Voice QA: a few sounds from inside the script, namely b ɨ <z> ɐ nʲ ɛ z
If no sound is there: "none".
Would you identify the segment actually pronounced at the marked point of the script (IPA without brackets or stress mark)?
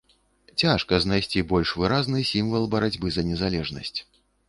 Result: z